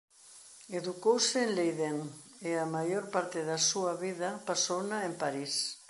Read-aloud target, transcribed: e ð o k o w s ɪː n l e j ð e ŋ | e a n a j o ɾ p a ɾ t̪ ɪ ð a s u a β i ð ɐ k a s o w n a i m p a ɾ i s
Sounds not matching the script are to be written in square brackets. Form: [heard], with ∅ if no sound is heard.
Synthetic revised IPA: e ð [u] k o w s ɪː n l e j ð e ŋ | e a [m] a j o ɾ p a ɾ t̪ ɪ ð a s u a β i ð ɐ [p] a s o w n a [e] m p a ɾ i s